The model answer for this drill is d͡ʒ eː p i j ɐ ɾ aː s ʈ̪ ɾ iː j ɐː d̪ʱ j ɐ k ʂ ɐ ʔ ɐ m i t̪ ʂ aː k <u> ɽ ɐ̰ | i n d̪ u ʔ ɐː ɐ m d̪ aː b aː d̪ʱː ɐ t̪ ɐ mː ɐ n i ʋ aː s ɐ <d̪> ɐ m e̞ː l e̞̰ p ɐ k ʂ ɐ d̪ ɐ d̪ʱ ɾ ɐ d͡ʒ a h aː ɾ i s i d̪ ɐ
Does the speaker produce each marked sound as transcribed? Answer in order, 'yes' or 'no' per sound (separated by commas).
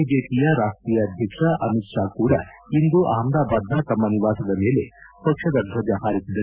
no, yes